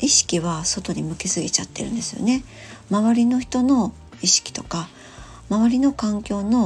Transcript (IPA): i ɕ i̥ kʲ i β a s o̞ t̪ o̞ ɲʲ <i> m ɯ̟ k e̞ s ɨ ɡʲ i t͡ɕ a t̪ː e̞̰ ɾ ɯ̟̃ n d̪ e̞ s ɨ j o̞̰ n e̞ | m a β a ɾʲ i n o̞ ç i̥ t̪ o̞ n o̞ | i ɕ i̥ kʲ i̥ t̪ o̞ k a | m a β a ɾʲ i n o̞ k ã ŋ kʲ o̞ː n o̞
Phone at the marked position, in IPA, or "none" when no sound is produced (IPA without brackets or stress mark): i